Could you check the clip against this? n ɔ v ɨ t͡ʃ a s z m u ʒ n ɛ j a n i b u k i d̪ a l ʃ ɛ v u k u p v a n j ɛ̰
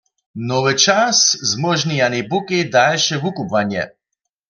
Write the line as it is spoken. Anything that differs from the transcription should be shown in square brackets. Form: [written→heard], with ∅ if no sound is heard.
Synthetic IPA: n ɔ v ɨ t͡ʃ a s z m [u→ɔ] ʒ n [ɛ→i] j a n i b u k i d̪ a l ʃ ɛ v u k u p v a n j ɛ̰